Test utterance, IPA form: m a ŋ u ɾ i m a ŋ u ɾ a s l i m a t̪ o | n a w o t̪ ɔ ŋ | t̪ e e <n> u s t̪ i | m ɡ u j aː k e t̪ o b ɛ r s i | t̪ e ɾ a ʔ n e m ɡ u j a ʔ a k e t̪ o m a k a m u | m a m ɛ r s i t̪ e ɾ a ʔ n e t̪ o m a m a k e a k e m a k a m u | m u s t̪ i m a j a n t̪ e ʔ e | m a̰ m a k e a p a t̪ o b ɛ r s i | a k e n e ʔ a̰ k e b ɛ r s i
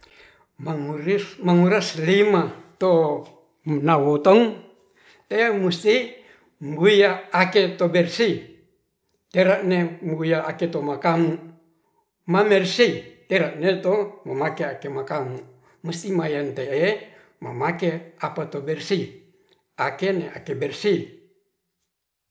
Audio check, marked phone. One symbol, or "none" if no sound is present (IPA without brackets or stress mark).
m